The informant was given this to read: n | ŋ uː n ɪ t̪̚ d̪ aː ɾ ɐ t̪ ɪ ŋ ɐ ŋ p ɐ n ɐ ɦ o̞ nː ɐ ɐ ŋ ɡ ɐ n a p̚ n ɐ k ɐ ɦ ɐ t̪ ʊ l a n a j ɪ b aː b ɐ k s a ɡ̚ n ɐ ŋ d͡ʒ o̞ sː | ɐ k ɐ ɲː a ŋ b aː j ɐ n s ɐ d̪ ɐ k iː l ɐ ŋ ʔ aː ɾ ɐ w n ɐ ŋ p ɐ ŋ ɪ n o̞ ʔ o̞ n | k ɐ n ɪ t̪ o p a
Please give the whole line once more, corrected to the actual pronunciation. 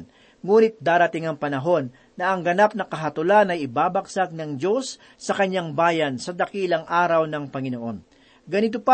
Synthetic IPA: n | ŋ uː n ɪ t̪̚ d̪ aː ɾ ɐ t̪ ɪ ŋ ɐ ŋ p ɐ n ɐ ɦ o̞ nː ɐ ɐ ŋ ɡ ɐ n a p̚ n ɐ k ɐ ɦ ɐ t̪ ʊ l a n ɐ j ɪ b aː b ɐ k s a ɡ̚ n ɐ ŋ d͡ʒ o̞ sː | ɐ k ɐ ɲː a ŋ b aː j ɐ n s ɐ d̪ ɐ k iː l ɐ ŋ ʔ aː ɾ ɐ w n ɐ ŋ p ɐ ŋ ɪ n o̞ ʔ o̞ n | ɡ ɐ n ɪ t̪ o p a